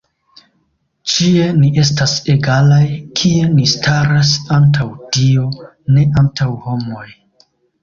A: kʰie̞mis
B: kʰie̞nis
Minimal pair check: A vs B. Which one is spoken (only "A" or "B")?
B